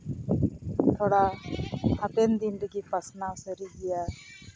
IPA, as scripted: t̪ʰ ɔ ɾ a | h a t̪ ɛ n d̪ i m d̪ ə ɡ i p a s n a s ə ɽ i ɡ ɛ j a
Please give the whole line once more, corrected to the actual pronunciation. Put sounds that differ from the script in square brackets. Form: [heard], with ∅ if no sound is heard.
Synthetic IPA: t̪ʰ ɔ [ɽ] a | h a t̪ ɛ n d̪ i [n] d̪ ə ɡ i p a s n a s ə [ɾ] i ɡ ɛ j a